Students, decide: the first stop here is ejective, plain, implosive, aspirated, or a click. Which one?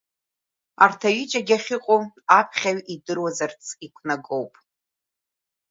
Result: aspirated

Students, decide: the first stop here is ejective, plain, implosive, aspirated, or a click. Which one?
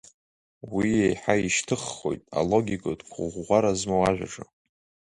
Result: aspirated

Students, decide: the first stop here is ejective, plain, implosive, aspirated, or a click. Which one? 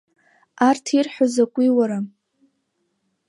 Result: aspirated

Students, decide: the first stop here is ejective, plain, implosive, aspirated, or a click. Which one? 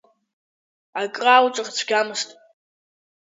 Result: ejective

